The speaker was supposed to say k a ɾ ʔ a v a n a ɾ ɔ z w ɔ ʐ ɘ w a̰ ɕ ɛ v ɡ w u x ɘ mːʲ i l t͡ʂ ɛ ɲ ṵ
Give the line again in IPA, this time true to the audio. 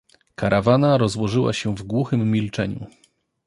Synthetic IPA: k a ɾ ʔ a v a n a ɾ ɔ z w ɔ ʐ ɘ w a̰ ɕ ɛ v ɡ w u x ɘ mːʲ i l t͡ʂ ɛ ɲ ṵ